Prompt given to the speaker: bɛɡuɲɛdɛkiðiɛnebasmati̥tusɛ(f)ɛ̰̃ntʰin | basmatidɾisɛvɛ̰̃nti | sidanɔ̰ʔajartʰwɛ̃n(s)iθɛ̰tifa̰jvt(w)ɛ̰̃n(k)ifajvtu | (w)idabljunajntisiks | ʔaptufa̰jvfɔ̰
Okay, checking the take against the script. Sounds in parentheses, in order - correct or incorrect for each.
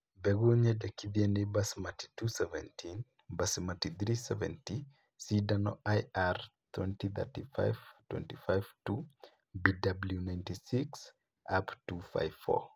incorrect, incorrect, correct, incorrect, incorrect

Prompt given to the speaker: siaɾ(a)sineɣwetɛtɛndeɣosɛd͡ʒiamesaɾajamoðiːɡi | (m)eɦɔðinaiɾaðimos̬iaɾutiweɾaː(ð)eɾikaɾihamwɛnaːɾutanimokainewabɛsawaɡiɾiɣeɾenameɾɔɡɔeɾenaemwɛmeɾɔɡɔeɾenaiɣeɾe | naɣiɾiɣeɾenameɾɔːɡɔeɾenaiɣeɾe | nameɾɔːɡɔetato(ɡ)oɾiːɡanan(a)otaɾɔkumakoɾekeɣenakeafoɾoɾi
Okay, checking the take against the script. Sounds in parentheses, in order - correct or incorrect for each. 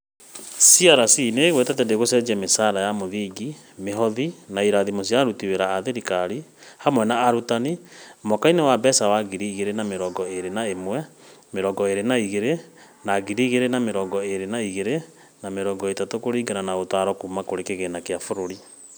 correct, correct, correct, incorrect, correct

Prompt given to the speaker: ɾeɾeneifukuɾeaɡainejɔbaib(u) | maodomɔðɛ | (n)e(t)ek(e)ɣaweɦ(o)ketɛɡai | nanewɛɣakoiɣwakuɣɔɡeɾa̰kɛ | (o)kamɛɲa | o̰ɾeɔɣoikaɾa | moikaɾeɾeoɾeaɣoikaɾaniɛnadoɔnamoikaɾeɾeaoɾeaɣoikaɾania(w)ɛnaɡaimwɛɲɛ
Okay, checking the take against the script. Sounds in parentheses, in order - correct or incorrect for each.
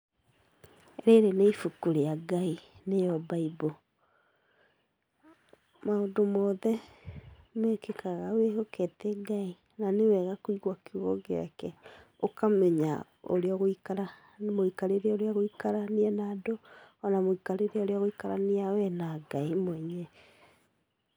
incorrect, incorrect, incorrect, incorrect, correct, correct, correct

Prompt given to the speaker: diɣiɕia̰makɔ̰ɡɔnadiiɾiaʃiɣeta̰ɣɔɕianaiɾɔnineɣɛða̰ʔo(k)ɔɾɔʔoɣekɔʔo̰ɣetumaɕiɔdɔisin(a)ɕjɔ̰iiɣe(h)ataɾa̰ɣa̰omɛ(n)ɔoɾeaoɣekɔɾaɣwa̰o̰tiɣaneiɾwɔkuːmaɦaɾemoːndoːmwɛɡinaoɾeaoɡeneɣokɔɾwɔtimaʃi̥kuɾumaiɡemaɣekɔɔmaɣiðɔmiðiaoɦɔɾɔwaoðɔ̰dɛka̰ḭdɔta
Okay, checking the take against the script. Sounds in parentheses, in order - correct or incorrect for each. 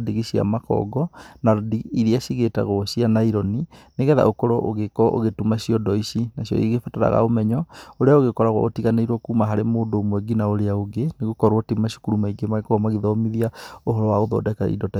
correct, correct, incorrect, incorrect

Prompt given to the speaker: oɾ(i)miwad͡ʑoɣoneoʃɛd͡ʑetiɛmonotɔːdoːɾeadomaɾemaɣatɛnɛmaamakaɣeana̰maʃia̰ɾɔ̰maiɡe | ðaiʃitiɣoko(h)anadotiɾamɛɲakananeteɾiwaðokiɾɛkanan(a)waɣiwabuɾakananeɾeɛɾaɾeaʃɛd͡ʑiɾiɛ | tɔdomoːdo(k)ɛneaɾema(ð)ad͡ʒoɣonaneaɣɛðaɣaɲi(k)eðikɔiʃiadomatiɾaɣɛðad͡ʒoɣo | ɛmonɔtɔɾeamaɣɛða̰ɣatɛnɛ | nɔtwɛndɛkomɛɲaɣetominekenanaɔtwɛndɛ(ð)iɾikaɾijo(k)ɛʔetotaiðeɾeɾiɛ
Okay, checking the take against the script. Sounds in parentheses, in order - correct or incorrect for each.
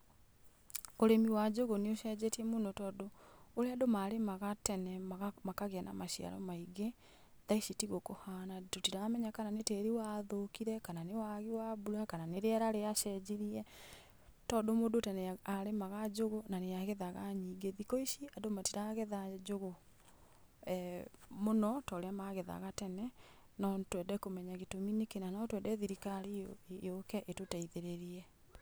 incorrect, correct, incorrect, incorrect, incorrect, incorrect, correct, correct

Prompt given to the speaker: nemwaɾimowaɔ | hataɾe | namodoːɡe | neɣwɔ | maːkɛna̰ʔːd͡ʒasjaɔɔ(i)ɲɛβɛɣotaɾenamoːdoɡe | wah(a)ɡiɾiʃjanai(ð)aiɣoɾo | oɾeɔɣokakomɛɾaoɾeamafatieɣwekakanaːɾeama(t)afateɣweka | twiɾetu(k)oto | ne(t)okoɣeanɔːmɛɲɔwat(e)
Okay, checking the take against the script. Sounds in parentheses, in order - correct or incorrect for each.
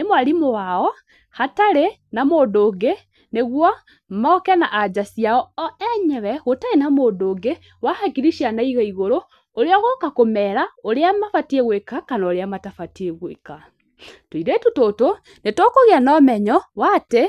incorrect, correct, incorrect, correct, incorrect, correct, correct

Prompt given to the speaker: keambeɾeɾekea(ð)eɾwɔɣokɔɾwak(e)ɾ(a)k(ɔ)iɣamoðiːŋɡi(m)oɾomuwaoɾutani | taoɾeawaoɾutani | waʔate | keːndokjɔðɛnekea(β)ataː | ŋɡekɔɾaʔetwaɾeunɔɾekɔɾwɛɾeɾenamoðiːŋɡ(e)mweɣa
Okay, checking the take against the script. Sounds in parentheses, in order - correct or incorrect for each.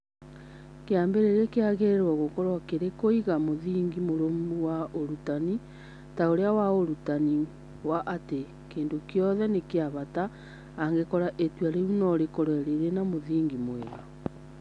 incorrect, correct, incorrect, incorrect, correct, correct, incorrect

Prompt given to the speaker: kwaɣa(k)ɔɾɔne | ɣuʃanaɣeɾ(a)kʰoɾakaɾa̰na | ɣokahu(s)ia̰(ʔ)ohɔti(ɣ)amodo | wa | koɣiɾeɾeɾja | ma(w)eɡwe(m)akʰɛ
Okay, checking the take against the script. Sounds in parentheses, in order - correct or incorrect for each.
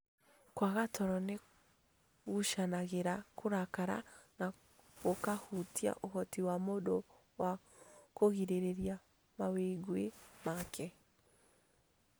incorrect, correct, incorrect, correct, incorrect, correct, correct

